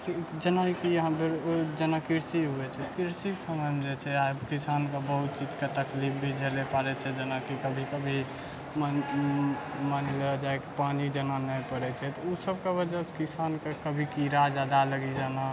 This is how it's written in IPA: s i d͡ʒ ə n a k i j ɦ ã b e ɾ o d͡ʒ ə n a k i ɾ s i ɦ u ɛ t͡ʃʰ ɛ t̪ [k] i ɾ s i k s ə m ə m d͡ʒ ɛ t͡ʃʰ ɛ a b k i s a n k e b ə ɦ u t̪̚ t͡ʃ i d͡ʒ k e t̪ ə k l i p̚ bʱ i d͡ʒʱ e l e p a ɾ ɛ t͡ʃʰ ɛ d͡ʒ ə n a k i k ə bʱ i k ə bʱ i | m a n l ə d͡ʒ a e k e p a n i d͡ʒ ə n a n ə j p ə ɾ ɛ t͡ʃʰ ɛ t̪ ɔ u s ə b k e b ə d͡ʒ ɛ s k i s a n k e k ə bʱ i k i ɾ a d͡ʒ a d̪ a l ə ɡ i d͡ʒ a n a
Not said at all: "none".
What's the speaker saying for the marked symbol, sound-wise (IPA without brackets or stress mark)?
k